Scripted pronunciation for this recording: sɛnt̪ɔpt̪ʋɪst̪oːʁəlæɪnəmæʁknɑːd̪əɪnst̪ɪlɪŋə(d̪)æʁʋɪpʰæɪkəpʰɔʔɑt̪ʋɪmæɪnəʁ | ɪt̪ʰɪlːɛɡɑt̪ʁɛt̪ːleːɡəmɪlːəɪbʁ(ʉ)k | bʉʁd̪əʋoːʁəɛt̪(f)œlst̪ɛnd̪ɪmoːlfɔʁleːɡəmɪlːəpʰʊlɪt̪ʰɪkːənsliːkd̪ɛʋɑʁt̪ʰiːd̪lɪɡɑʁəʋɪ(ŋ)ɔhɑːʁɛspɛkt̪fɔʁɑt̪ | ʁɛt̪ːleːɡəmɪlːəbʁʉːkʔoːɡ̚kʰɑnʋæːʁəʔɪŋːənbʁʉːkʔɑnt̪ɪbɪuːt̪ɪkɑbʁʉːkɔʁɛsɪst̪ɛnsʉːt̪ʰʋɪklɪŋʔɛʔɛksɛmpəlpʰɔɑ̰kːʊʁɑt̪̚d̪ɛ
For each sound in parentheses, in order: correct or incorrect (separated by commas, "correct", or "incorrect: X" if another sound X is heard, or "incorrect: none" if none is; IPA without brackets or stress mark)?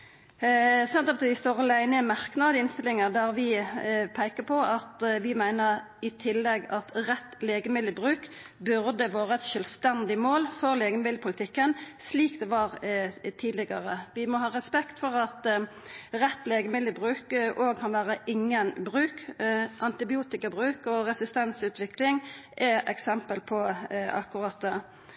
correct, incorrect: ʉː, incorrect: ʃ, incorrect: m